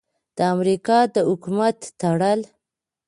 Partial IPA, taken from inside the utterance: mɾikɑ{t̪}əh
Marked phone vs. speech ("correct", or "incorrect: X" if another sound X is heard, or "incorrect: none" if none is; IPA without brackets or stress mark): incorrect: d̪